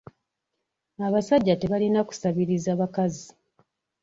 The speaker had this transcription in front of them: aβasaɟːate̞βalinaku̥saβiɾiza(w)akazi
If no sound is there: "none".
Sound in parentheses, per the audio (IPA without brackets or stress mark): β